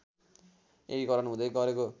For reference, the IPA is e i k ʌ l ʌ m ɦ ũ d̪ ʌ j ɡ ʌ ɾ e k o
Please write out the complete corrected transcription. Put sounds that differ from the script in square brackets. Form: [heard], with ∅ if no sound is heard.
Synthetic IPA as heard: e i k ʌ [ɾ] ʌ [n] ɦ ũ d̪ ʌ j ɡ ʌ ɾ e k o